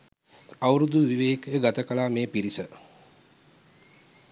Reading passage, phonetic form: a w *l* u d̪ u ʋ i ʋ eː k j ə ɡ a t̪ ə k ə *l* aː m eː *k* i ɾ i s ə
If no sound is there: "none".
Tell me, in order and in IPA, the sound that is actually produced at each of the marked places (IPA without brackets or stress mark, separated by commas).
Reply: ɾ, l, p